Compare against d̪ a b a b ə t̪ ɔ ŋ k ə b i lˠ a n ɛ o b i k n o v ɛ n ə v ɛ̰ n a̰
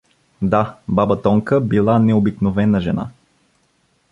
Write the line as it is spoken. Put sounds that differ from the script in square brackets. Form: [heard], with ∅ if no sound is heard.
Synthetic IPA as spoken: d̪ a b a b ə t̪ ɔ ŋ k ə b i lˠ a n ɛ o b i k n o v ɛ n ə [ʒ] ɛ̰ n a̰